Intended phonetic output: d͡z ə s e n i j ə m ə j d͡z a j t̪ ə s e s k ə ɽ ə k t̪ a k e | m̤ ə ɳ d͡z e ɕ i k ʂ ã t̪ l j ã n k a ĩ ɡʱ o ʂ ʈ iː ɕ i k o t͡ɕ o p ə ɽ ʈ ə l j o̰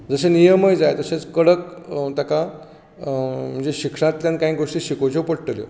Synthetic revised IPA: d͡z ə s e n i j ə m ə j d͡z a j t̪ ə s e t͡s k ə ɽ ə k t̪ a k a | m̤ ə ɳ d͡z e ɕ i k ʂ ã t̪ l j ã n k a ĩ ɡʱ o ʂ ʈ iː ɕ i k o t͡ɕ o p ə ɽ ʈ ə l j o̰